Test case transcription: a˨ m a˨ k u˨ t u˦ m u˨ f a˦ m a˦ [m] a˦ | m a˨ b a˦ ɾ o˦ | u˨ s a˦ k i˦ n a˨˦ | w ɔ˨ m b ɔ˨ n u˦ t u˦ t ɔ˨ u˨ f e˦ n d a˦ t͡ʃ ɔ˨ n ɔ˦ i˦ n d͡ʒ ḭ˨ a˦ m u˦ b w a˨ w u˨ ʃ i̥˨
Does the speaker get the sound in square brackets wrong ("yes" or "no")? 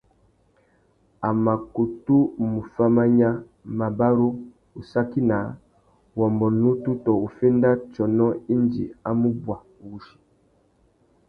yes